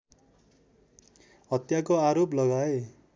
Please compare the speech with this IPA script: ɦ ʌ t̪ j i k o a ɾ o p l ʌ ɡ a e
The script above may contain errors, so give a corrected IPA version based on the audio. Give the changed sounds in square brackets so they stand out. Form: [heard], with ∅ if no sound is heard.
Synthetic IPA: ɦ ʌ t̪ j [a] k o a ɾ o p l ʌ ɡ a e